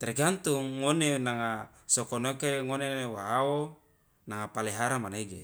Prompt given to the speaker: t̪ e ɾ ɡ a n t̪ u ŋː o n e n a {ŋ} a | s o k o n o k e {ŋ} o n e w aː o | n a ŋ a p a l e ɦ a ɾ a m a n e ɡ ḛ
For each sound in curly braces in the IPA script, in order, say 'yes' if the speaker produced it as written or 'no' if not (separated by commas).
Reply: yes, yes